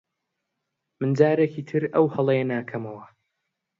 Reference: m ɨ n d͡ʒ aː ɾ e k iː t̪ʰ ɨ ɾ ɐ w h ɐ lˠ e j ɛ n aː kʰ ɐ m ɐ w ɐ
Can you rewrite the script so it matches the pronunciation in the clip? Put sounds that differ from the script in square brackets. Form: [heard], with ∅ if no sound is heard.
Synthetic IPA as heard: m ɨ n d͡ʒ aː ɾ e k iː t̪ʰ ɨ ɾ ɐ w h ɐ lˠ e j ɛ n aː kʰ ɐ m ɐ w ɐ